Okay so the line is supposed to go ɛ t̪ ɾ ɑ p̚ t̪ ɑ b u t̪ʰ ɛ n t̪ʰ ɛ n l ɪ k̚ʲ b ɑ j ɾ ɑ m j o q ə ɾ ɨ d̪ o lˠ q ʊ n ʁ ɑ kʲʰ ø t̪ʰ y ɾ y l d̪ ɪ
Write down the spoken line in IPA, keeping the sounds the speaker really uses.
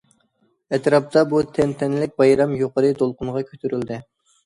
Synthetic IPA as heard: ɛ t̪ ɾ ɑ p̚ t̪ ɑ b u t̪ʰ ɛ n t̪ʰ ɛ n l ɪ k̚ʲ b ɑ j ɾ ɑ m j o q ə ɾ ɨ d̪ o lˠ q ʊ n ʁ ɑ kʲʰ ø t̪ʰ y ɾ y l d̪ ɪ